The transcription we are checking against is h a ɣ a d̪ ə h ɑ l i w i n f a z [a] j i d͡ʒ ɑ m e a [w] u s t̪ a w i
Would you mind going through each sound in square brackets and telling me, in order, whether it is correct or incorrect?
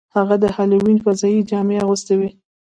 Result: incorrect, incorrect

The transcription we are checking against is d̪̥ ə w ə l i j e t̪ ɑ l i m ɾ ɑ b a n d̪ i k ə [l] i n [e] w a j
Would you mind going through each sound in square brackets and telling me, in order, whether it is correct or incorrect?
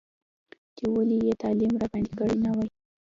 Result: incorrect, incorrect

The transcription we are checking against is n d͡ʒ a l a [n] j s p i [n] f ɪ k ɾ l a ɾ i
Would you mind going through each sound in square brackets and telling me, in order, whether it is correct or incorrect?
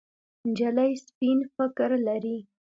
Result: incorrect, correct

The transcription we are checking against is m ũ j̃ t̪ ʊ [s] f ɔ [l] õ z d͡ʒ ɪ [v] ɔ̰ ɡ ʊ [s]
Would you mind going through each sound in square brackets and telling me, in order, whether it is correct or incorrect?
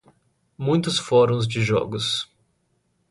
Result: correct, incorrect, incorrect, correct

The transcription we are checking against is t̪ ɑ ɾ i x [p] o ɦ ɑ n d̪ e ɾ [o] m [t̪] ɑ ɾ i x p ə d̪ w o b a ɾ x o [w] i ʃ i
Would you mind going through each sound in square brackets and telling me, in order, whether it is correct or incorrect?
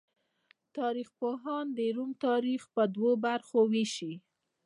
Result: correct, incorrect, correct, correct

